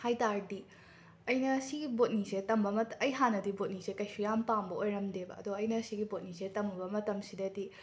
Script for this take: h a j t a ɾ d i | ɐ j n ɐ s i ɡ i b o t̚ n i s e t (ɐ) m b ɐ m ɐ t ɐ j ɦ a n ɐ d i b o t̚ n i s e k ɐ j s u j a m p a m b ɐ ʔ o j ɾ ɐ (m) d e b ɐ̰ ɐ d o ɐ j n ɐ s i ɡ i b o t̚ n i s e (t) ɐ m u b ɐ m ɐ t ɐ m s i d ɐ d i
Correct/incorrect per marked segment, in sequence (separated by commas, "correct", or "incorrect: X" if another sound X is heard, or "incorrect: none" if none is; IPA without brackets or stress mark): correct, correct, correct